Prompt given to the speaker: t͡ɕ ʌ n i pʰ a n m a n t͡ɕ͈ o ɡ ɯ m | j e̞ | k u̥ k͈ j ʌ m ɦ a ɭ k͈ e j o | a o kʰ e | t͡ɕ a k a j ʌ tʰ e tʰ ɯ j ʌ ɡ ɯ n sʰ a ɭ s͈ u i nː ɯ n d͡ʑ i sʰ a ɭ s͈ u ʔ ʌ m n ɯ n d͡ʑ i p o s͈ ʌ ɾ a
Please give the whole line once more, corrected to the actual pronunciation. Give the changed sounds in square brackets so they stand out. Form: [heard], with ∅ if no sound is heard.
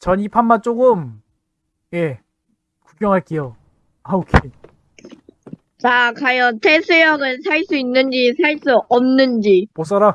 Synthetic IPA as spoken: t͡ɕ ʌ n i pʰ a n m a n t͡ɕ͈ o ɡ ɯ m | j e̞ | k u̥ k͈ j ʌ [ŋ] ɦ a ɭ k͈ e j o | a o kʰ e | t͡ɕ a k a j ʌ tʰ e [sʰ] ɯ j ʌ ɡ ɯ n sʰ a ɭ s͈ u i nː ɯ n d͡ʑ i sʰ a ɭ s͈ u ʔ ʌ m n ɯ n d͡ʑ i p o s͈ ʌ ɾ a

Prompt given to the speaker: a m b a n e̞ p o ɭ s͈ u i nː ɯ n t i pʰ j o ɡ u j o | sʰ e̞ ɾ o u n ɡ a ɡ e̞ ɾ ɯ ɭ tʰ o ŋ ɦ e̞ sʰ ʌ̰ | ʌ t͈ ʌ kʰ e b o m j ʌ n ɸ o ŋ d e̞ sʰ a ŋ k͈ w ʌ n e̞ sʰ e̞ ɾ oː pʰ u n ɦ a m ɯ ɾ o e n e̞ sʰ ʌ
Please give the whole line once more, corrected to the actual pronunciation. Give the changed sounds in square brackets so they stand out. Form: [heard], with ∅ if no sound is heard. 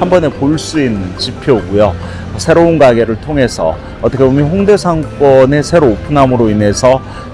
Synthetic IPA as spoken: a m b [ʌ] n e̞ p o ɭ s͈ u i nː ɯ n [t͡ɕ] i pʰ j o ɡ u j o | sʰ e̞ ɾ o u n ɡ a ɡ e̞ ɾ ɯ ɭ tʰ o ŋ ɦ e̞ sʰ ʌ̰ | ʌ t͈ ʌ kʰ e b o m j ʌ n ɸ o ŋ d e̞ sʰ a ŋ k͈ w ʌ n e̞ sʰ e̞ ɾ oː pʰ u n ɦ a m ɯ ɾ o [i] n e̞ sʰ ʌ

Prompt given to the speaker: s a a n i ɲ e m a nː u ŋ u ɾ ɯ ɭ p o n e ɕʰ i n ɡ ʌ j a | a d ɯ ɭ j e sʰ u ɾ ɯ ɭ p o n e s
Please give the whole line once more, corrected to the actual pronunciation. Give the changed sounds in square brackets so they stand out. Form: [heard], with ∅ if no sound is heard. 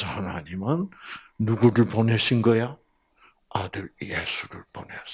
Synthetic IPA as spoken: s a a n [a] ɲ [i] m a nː u [ɡ] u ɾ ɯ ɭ p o n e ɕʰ i n ɡ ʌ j a | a d ɯ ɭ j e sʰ u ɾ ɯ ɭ p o n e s

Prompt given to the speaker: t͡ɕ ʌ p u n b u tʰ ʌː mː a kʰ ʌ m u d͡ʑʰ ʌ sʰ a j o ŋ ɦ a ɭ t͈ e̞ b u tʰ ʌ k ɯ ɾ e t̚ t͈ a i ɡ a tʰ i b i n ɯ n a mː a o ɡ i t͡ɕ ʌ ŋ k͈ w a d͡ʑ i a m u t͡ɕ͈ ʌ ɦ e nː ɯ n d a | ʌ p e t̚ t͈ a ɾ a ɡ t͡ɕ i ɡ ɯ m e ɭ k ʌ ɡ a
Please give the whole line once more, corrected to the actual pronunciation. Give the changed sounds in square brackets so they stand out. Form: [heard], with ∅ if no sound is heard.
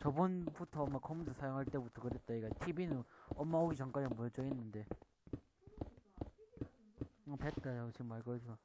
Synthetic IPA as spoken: t͡ɕ ʌ [b] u n b u tʰ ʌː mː a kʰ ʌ m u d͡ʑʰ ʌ sʰ a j o ŋ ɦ a ɭ t͈ e̞ b u tʰ ʌ k ɯ ɾ e t̚ t͈ a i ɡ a tʰ i b i n ɯ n [ʌ] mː a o ɡ i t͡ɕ ʌ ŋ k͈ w a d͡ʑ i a m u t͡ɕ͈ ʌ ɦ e nː ɯ n d [e] | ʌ p e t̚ t͈ a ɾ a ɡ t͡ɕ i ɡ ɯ m [a] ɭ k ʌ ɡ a

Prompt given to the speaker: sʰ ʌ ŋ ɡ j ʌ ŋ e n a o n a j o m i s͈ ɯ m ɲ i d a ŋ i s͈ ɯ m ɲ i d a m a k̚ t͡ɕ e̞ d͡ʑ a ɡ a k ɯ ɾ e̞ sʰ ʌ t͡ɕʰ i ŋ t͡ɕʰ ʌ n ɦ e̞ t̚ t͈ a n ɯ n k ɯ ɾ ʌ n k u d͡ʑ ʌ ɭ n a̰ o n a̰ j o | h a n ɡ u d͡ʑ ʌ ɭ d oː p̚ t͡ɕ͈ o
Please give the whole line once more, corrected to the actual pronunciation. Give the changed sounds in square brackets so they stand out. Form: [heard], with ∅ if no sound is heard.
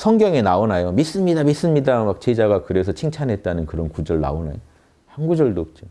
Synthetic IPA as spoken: sʰ ʌ ŋ ɡ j ʌ ŋ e n a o n a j o m i s͈ ɯ m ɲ i d a [m] i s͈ ɯ m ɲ i d a m a k̚ t͡ɕ e̞ d͡ʑ a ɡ a k ɯ ɾ e̞ sʰ ʌ t͡ɕʰ i ŋ t͡ɕʰ [a] n ɦ e̞ t̚ t͈ a n ɯ n k ɯ ɾ ʌ n k u d͡ʑ ʌ ɭ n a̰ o n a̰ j o | h a n ɡ u d͡ʑ ʌ ɭ d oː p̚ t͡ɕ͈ o

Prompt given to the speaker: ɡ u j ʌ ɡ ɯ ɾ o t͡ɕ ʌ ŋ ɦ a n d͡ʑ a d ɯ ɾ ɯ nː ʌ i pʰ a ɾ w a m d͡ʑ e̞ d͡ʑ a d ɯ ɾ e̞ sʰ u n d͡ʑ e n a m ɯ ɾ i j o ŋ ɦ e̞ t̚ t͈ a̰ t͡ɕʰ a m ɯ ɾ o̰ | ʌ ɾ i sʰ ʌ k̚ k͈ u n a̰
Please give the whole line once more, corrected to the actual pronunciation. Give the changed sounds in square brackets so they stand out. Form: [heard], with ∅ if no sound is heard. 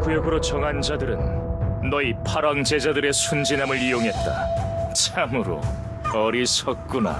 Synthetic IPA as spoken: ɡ u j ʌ ɡ ɯ ɾ o t͡ɕ ʌ ŋ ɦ a n d͡ʑ a d ɯ ɾ ɯ nː ʌ i pʰ a ɾ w a [ŋ] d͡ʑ e̞ d͡ʑ a d ɯ ɾ e̞ sʰ u n d͡ʑ [i] n a m ɯ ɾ i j o ŋ ɦ e̞ t̚ t͈ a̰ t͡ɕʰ a m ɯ ɾ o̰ | ʌ ɾ i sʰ ʌ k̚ k͈ u n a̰

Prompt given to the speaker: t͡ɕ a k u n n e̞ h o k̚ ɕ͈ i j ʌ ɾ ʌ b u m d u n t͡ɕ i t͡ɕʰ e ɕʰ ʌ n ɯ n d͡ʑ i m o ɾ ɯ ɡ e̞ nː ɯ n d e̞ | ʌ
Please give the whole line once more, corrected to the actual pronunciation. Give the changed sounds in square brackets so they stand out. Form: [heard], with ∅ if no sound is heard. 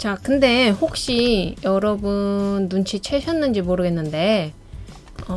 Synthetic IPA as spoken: t͡ɕ a k [ɯ] n [d] e̞ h o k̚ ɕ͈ i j ʌ ɾ ʌ b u [n] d u n [t͡ɕʰ] i t͡ɕʰ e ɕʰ ʌ [nː] ɯ n d͡ʑ i m o ɾ ɯ ɡ e̞ nː ɯ n d e̞ | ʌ

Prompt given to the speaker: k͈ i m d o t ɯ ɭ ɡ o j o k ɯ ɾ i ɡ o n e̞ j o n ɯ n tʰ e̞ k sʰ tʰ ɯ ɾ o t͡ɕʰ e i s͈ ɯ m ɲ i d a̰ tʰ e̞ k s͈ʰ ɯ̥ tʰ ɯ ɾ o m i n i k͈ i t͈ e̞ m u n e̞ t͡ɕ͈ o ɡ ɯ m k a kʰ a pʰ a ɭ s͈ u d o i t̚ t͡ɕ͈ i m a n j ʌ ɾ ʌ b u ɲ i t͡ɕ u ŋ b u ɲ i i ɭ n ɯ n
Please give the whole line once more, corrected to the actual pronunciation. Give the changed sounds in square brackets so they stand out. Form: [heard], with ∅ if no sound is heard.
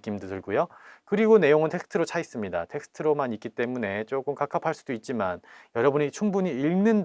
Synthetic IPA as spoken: k͈ i m d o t ɯ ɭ ɡ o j o k ɯ ɾ i ɡ o n e̞ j o [ŋ] ɯ n tʰ e̞ k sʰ tʰ ɯ ɾ o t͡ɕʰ [a] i s͈ ɯ m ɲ i d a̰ tʰ e̞ k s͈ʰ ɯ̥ tʰ ɯ ɾ o m [a] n i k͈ i t͈ e̞ m u n e̞ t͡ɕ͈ o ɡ ɯ m k a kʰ a pʰ a ɭ s͈ u d o i t̚ t͡ɕ͈ i m a n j ʌ ɾ ʌ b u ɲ i [t͡ɕʰ] u ŋ b u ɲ i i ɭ n ɯ n

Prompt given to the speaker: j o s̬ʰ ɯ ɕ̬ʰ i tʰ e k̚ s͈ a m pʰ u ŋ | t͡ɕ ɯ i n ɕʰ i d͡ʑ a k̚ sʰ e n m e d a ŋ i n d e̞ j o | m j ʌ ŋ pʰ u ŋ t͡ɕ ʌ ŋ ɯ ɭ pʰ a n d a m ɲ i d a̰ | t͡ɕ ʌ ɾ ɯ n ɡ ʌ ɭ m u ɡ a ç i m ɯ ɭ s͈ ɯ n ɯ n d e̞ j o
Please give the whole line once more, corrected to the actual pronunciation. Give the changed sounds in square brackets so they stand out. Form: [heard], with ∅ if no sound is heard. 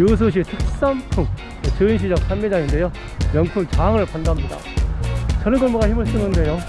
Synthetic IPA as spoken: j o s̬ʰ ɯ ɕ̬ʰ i tʰ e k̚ s͈ a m pʰ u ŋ | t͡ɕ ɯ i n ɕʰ i d͡ʑ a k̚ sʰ [a] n m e [d͡ʑ] a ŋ i n d e̞ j o | m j ʌ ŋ pʰ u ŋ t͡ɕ [a] ŋ ɯ ɭ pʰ a n d a m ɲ i d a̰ | t͡ɕ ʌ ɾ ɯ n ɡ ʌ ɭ m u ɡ a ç i m ɯ ɭ s͈ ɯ n ɯ n d e̞ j o

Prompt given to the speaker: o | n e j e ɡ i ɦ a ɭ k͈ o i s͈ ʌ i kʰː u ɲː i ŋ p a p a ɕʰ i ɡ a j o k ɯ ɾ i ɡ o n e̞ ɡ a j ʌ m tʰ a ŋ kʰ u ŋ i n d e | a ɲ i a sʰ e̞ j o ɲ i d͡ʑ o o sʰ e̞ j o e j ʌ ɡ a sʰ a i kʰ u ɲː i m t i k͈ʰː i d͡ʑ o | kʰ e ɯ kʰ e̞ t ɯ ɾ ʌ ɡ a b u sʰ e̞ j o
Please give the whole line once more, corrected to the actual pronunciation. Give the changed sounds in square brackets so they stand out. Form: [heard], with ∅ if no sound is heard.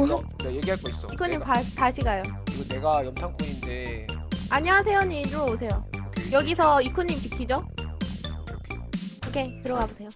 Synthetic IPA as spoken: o | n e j e ɡ i ɦ a ɭ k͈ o i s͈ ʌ i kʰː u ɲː i [m] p a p a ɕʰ i ɡ a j o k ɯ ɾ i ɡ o n e̞ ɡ a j ʌ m tʰ a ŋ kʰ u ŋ i n d e | a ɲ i a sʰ e̞ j o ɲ i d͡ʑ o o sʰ e̞ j o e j ʌ ɡ [i] sʰ [ʌ] i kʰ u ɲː i m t i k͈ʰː i d͡ʑ o | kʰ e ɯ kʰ e̞ t ɯ ɾ ʌ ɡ a b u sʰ e̞ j o

